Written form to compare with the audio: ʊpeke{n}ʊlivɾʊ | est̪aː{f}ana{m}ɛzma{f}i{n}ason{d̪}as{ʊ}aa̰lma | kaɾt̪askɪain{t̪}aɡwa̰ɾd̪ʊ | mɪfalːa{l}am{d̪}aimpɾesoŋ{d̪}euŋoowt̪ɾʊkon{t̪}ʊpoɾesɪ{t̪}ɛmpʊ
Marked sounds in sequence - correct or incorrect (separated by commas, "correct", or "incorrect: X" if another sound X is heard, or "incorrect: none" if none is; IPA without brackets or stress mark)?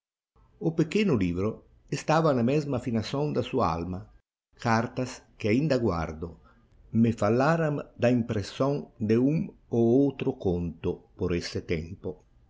correct, incorrect: v, correct, correct, correct, correct, incorrect: u, incorrect: d̪, incorrect: ɾ, correct, correct, correct, correct